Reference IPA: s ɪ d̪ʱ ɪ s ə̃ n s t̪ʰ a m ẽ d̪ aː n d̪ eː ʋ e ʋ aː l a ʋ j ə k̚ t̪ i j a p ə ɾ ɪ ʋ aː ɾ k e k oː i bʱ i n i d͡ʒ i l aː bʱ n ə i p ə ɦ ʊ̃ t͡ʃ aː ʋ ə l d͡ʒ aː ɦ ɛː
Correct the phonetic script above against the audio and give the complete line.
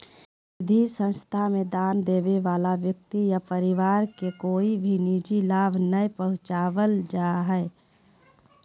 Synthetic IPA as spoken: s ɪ d̪ʱ i s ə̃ n s t̪ʰ a m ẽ d̪ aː n d̪ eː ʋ e ʋ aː l a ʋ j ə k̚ t̪ i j a p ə ɾ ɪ ʋ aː ɾ k e k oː i bʱ i n i d͡ʒ i l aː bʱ n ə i p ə ɦ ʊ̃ t͡ʃ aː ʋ ə l d͡ʒ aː ɦ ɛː